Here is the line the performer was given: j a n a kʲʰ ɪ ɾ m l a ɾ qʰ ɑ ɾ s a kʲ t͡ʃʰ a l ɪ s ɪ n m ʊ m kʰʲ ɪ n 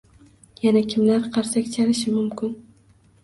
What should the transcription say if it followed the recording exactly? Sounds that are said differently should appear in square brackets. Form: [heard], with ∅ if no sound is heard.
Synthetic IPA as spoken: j a n a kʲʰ ɪ [∅] m l a ɾ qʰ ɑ ɾ s a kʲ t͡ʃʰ a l ɪ [ʃ] ɪ [∅] m ʊ m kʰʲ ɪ n